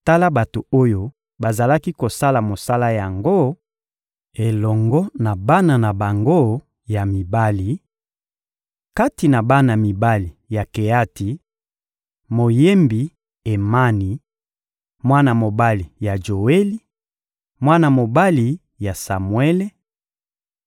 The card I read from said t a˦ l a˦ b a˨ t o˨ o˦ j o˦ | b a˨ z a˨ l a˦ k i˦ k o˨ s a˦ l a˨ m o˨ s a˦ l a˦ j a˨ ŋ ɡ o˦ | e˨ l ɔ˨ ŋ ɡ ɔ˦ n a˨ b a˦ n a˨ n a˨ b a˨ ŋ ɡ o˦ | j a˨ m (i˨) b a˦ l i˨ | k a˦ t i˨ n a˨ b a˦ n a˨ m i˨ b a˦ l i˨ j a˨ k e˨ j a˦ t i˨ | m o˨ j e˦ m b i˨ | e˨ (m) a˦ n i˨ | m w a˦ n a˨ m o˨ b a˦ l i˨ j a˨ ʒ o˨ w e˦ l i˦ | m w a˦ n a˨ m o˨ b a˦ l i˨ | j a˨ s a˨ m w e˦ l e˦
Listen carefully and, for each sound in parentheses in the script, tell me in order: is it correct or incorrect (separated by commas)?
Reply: correct, correct